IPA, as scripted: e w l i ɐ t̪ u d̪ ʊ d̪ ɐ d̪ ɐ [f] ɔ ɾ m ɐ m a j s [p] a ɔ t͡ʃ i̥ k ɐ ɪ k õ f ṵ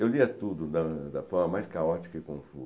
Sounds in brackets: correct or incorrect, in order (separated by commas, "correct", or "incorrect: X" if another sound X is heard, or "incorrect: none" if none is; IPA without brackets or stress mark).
correct, incorrect: k